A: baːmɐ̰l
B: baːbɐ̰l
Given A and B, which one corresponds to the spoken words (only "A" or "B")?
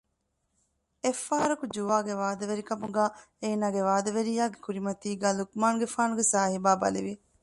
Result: B